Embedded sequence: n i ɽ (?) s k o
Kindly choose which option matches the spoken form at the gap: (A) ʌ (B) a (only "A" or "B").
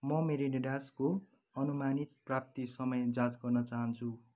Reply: B